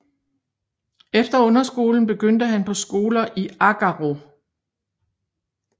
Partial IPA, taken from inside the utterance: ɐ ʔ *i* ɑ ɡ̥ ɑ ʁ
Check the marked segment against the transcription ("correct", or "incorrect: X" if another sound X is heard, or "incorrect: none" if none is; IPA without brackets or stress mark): correct